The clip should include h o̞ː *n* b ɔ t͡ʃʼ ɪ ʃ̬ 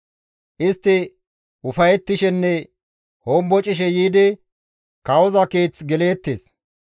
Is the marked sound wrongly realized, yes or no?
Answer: yes